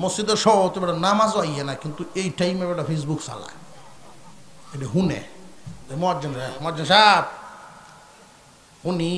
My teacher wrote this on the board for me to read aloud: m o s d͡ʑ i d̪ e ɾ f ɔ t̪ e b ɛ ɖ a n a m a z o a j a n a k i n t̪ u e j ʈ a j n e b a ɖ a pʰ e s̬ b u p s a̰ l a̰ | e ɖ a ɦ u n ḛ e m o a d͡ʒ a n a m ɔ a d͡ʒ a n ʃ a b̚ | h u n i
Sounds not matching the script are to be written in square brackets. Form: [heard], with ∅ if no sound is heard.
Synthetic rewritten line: m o s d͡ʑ i d̪ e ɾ [ʃ] ɔ t̪ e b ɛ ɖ a n a m a z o a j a n a k i n t̪ u e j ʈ a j [m] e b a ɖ a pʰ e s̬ b u [k] s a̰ l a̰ | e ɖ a ɦ u n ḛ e m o a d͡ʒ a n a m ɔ a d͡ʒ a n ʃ a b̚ | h u n i